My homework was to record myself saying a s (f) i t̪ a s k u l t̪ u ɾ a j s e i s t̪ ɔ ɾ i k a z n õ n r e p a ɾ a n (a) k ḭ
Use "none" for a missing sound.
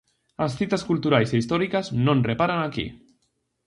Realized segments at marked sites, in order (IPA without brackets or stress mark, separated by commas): θ, a